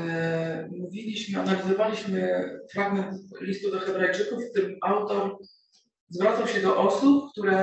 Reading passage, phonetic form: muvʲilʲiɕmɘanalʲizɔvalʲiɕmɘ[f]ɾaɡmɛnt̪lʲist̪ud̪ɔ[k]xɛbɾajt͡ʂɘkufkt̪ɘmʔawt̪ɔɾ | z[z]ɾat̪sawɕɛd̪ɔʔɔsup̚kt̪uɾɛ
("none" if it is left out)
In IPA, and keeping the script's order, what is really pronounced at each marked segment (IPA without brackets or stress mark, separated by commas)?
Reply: f, none, v